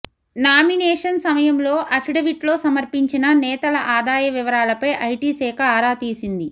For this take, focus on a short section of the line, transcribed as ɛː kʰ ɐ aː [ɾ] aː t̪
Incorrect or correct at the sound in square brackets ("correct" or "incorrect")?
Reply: correct